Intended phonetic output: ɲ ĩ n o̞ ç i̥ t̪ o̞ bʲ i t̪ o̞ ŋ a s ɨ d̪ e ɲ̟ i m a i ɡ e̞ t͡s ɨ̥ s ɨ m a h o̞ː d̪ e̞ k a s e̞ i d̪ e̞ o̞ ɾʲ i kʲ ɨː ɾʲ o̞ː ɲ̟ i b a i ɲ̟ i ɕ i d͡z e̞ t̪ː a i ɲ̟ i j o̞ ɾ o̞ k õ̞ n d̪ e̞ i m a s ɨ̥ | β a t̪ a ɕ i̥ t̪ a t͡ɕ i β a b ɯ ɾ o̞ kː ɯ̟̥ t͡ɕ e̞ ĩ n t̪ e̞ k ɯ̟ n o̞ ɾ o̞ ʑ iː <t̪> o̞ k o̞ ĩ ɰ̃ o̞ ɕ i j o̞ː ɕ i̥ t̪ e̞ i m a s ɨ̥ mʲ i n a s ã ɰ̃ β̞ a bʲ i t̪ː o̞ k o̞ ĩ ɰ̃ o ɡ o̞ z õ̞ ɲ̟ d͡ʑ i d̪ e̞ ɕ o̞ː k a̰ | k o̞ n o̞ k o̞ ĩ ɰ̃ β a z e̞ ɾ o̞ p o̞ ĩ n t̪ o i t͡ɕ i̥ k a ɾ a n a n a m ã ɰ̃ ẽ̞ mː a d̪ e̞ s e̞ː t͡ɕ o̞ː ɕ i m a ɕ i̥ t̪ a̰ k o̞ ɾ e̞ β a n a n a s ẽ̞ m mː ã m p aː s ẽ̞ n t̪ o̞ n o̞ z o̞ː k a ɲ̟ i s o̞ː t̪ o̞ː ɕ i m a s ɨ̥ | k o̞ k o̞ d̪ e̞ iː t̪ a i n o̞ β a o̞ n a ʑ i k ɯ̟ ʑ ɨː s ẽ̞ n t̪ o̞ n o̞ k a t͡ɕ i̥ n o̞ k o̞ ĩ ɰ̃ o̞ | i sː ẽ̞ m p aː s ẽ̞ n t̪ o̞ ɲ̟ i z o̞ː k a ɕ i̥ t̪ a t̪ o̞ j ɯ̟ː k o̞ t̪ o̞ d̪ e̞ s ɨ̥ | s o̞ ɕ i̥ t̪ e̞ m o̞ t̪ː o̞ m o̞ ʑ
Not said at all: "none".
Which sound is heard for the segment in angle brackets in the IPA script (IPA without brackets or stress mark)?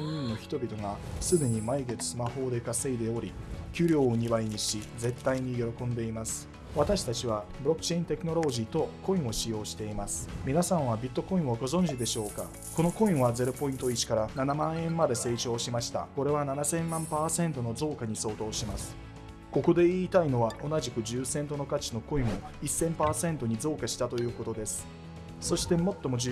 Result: t̪